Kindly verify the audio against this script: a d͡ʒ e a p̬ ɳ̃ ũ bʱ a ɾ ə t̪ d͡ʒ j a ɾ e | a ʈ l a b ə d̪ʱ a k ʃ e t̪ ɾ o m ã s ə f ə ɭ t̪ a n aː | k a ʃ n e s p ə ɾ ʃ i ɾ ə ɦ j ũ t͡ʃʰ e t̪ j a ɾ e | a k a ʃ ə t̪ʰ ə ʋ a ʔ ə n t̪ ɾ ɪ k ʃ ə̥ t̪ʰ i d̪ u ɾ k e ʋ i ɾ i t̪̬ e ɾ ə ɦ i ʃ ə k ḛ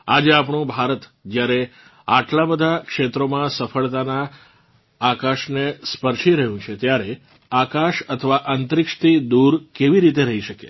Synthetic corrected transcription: a d͡ʒ e a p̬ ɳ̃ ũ bʱ a ɾ ə t̪ d͡ʒ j a ɾ e | a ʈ l a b ə d̪ʱ a k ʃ e t̪ ɾ o m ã s ə f ə ɭ t̪ a n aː | k a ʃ n e s p ə ɾ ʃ i ɾ ə ɦ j ũ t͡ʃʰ e t̪ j a ɾ e | a k a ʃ ə t̪ʰ ə ʋ a ʔ ə n t̪ ɾ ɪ k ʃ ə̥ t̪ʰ i d̪ u ɾ k e ʋ i ɾ i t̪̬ e ɾ ə ɦ i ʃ ə k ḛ